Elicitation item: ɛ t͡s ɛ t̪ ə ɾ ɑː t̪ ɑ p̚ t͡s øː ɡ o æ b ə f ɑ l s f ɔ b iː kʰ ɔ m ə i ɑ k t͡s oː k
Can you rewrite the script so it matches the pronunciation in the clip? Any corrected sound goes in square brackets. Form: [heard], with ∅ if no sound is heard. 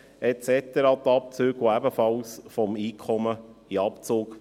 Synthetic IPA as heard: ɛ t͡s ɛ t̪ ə ɾ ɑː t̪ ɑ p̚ t͡s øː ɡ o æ b ə f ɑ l s f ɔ [m] iː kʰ ɔ m ə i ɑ [p] t͡s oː k

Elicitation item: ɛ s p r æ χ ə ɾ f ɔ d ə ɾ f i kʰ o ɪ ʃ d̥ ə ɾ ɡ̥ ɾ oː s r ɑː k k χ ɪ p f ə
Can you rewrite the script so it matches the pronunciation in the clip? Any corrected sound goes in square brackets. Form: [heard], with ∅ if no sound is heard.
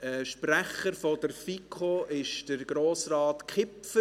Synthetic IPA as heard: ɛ [ʃ] p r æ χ ə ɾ f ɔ d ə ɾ f i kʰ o ɪ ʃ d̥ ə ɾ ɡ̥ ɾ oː s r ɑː [t] k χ ɪ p f ə

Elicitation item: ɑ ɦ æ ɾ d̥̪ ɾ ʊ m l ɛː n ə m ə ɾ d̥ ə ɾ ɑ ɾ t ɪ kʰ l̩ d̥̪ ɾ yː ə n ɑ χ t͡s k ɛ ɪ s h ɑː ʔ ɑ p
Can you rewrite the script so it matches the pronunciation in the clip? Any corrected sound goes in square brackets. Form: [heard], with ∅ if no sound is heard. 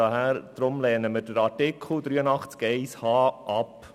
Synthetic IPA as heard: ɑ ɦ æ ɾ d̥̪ ɾ ʊ m l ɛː n ə m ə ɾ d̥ ə ɾ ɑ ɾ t ɪ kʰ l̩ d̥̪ ɾ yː ə n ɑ χ t͡s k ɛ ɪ s h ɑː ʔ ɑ p

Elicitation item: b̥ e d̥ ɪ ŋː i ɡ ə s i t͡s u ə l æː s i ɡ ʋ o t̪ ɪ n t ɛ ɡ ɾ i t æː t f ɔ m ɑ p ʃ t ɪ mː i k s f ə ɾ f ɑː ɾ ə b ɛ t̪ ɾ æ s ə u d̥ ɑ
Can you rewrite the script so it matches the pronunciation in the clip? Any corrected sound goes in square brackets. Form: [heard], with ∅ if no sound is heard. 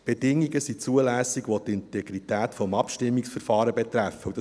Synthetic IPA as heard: b̥ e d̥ ɪ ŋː i ɡ ə s i t͡s u ə l æː s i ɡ ʋ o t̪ ɪ n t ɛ ɡ ɾ i t æː t f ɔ m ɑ p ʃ t ɪ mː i k s f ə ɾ f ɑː ɾ ə b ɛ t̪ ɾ æ [f] ə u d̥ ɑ

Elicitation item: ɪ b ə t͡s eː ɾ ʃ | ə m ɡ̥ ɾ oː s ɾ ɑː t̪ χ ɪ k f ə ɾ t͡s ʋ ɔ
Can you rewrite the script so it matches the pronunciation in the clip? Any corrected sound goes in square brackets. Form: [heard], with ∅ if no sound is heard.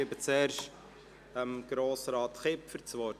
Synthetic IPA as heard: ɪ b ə t͡s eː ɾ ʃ | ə m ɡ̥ ɾ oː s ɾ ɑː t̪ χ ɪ [p] f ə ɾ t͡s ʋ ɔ

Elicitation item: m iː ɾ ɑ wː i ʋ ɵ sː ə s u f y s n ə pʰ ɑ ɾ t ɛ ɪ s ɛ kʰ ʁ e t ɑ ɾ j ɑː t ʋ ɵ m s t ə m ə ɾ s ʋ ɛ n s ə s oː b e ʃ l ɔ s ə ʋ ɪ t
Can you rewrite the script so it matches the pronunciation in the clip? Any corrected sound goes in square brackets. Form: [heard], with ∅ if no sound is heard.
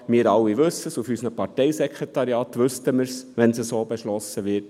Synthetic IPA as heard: m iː ɾ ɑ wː i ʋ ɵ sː ə s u f y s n ə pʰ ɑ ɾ t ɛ ɪ s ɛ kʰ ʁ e t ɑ ɾ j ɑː t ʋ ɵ [∅] s t ə m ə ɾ s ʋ ɛ n s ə s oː b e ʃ l ɔ s ə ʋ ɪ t

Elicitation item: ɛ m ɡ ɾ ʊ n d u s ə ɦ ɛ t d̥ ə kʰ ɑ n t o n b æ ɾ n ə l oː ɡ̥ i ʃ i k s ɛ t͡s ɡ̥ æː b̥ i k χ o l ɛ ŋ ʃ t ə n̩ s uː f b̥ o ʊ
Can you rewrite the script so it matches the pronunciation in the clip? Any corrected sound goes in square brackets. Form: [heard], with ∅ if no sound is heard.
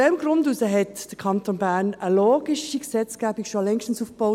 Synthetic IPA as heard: ɛ m ɡ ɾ ʊ n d u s ə ɦ ɛ t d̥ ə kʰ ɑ n t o n b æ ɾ n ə l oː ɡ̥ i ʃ i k s ɛ t͡s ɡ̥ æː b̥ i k [ʃ] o l ɛ ŋ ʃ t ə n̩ s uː f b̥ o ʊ

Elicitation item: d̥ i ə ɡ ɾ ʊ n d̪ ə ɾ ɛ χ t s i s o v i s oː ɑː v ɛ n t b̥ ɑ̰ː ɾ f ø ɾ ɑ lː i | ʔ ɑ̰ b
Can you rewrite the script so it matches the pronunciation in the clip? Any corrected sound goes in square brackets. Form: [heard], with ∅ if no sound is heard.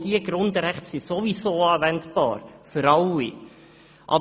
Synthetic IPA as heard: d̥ i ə ɡ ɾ ʊ n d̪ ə ɾ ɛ χ t s i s o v i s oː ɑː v ɛ n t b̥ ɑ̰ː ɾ f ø ɾ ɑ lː i | ʔ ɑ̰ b

